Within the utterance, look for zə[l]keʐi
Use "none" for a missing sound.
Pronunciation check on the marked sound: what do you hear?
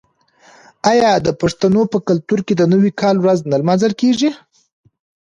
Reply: l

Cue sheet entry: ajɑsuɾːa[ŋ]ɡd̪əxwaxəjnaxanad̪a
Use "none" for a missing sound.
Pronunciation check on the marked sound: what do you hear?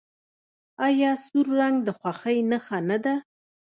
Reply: ŋ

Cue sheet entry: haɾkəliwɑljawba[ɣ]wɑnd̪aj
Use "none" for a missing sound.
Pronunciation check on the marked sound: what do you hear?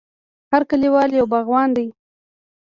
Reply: ɣ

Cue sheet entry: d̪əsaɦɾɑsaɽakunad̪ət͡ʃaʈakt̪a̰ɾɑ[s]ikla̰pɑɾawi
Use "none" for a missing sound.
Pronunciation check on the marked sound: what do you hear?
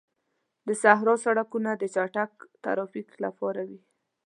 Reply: f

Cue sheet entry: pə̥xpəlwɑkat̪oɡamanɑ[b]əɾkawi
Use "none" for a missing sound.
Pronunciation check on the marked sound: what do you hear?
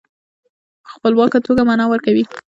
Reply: w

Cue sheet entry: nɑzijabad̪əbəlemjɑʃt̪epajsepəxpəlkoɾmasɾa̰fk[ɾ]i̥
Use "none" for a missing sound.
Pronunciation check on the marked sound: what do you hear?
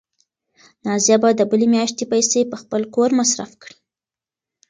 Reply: ɽ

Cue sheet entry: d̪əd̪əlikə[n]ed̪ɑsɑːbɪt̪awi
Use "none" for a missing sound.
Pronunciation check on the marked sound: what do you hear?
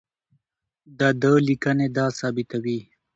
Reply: n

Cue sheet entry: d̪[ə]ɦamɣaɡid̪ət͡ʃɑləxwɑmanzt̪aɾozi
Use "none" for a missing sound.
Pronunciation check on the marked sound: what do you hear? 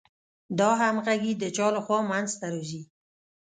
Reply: ɑ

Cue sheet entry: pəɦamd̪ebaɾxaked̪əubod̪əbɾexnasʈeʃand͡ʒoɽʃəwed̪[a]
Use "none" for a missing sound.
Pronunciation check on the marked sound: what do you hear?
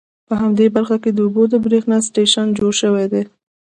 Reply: e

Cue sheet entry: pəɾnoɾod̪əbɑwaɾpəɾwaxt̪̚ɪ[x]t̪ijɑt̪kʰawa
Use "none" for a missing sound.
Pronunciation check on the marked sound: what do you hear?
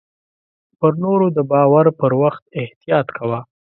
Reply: h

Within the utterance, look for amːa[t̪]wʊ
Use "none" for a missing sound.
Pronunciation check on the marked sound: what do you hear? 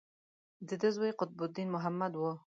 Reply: d̪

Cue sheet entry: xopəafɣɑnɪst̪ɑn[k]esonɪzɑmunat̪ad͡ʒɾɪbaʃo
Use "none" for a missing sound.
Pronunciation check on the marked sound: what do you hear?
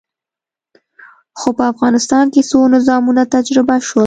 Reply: k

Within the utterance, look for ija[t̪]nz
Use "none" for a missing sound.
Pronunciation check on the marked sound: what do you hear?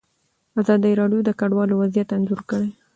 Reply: t̪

